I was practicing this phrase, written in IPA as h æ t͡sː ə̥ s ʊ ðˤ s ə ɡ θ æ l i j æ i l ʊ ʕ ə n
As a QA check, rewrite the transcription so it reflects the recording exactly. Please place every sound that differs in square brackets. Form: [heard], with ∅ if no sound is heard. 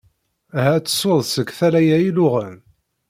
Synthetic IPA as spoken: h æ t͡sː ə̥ s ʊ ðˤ s ə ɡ θ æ l [æ] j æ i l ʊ [ʁ] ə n